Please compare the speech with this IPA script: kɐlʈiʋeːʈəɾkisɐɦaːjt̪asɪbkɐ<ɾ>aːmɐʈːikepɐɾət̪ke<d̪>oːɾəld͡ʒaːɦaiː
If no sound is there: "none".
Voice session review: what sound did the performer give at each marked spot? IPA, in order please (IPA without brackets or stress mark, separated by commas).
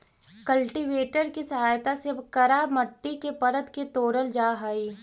ɾ, t̪